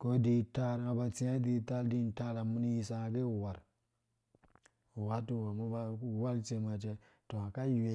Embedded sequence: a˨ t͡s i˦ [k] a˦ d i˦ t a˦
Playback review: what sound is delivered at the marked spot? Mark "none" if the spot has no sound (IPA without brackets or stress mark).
none